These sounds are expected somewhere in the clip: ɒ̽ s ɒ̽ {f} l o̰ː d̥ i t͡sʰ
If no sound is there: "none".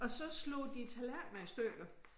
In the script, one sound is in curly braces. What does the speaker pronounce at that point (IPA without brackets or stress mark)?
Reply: s